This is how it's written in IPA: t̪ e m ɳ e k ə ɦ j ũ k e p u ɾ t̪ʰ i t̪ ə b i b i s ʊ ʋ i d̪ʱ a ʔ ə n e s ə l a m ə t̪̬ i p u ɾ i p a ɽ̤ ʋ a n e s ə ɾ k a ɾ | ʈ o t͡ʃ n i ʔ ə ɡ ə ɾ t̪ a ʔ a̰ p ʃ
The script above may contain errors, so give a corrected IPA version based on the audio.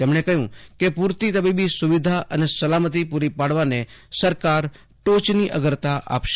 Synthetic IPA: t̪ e m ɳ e k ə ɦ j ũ k e p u ɾ t̪ i t̪ ə b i b i s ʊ ʋ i d̪ʱ a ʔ ə n e s ə l a m ə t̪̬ i p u ɾ i p a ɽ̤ ʋ a n e s ə ɾ k a ɾ | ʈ o t͡ʃ n i ʔ ə ɡ ə ɾ t̪ a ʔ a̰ p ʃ